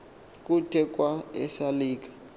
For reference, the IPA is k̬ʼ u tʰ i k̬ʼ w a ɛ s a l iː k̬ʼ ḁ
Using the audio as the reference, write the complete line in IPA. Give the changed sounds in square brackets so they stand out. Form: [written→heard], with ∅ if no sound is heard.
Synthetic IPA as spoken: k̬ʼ u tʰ [i→ɛ] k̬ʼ w a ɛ s a l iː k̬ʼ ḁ